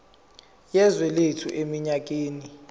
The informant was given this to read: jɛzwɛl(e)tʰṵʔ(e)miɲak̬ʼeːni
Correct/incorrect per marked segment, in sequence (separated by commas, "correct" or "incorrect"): correct, correct